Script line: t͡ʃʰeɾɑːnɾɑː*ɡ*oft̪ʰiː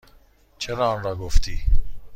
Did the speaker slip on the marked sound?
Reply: no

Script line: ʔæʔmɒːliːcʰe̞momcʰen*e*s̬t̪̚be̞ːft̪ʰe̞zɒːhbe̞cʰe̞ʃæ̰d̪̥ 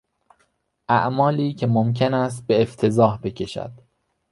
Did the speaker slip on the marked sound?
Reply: yes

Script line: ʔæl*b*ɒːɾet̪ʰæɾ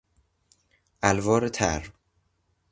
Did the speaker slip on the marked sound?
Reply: yes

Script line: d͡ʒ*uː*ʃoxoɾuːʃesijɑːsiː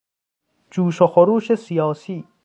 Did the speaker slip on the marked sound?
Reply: no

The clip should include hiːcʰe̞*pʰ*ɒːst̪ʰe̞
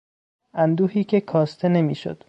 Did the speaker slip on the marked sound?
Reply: yes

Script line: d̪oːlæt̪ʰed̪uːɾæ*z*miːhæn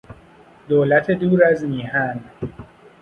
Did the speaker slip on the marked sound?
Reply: no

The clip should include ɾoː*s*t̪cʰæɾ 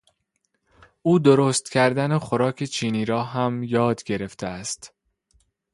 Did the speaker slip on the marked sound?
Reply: no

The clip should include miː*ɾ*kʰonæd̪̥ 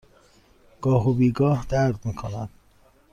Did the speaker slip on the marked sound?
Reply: yes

